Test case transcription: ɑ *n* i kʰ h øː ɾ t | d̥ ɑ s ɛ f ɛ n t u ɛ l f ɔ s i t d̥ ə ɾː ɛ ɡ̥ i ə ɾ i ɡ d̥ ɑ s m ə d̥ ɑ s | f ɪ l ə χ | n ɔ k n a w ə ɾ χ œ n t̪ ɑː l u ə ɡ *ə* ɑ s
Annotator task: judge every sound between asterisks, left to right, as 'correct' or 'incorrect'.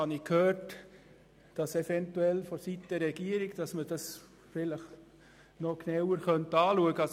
correct, correct

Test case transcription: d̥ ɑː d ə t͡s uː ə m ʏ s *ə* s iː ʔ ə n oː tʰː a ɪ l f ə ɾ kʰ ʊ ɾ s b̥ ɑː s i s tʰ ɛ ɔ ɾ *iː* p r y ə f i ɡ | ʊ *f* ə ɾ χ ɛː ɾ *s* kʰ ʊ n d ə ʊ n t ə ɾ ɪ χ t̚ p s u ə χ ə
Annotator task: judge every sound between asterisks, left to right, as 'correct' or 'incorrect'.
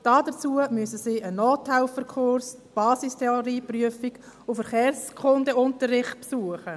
correct, correct, correct, correct

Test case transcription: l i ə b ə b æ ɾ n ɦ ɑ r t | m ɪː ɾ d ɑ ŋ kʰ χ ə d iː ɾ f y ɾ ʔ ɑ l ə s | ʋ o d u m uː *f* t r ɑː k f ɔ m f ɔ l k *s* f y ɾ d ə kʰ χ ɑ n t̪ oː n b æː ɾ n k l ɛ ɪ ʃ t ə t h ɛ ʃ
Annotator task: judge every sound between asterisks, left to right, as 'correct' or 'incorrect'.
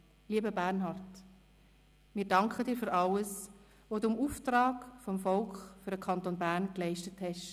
correct, incorrect

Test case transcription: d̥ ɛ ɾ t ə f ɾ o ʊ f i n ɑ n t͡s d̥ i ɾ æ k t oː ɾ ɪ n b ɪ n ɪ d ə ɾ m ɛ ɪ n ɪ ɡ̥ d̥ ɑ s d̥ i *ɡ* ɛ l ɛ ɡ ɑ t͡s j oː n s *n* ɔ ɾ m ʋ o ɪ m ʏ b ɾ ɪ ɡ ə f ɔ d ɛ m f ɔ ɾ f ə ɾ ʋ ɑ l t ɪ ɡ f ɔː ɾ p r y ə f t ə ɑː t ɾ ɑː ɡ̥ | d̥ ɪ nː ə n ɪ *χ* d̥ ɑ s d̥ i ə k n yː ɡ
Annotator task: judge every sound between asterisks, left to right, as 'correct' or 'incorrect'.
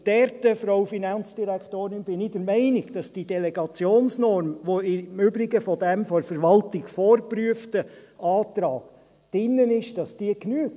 incorrect, correct, incorrect

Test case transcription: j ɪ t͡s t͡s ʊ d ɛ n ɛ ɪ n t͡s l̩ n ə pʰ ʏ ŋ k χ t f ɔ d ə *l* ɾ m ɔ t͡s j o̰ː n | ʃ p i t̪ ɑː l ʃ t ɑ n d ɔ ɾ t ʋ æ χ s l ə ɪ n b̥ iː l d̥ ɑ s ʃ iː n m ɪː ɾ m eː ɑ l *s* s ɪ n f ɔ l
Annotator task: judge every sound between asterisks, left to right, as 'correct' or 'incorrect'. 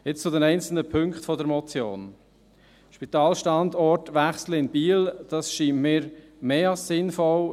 incorrect, correct

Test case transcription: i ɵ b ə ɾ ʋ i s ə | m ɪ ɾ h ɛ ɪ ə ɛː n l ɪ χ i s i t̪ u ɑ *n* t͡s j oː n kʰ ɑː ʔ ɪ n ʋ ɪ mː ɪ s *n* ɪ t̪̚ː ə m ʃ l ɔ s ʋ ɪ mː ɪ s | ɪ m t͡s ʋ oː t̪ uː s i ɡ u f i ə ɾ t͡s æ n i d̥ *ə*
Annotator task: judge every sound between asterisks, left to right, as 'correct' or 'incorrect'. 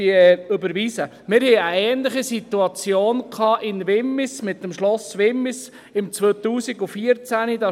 incorrect, incorrect, incorrect

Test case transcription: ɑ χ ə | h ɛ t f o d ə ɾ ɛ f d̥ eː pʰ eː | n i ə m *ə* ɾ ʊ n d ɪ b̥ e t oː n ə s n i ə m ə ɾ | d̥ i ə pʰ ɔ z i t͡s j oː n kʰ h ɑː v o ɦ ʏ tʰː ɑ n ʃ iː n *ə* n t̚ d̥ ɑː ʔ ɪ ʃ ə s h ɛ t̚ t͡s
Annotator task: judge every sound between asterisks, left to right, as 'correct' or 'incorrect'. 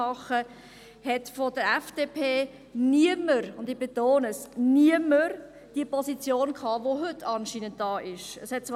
correct, correct

